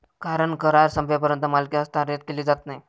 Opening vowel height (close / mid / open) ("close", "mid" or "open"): open